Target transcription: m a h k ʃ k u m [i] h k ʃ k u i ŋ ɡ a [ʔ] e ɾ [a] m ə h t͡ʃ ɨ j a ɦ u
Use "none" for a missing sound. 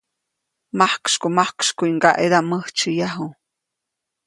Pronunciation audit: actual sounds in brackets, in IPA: a, ʔ, a

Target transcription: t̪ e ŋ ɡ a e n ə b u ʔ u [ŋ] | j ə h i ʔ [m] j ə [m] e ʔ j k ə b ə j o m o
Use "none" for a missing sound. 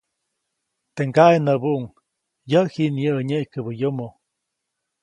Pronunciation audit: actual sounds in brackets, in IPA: ŋ, n, ɲ

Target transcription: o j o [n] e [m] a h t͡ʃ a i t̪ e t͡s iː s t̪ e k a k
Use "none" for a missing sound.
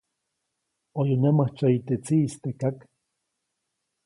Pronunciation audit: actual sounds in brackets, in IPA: n, m

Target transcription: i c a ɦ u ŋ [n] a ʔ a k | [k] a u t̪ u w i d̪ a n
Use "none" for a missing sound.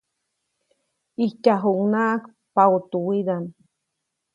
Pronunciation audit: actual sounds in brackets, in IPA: n, p

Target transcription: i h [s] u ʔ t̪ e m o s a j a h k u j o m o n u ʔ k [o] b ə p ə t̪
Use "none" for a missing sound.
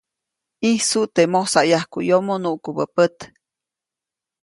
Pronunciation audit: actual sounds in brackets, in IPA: s, u

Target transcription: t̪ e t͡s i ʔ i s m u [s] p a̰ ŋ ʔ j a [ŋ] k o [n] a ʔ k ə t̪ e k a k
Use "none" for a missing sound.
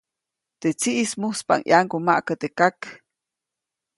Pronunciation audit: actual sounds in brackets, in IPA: s, ŋ, m

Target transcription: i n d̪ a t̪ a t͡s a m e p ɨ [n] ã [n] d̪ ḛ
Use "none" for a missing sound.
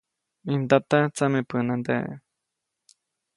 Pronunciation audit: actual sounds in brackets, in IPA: n, n

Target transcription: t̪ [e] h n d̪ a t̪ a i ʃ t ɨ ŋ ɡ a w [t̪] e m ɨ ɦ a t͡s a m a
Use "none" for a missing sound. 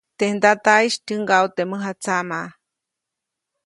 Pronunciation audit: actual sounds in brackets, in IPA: e, t̪

